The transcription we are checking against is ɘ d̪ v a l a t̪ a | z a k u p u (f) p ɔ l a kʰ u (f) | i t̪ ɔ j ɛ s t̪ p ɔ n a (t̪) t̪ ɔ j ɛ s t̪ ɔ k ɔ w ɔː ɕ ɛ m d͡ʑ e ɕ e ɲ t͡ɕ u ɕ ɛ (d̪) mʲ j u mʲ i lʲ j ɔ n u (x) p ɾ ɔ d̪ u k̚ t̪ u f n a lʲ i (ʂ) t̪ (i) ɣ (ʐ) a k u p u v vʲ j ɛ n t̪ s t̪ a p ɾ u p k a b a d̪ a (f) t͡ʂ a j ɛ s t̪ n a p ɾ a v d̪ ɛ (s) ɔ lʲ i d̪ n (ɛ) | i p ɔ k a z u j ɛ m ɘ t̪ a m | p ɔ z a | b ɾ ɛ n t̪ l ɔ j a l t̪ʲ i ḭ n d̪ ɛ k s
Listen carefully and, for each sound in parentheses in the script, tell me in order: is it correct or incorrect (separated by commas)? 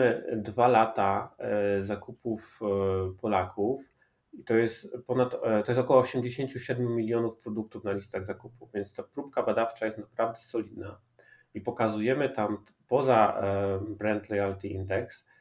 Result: correct, correct, correct, correct, incorrect, incorrect, incorrect, incorrect, correct, correct, incorrect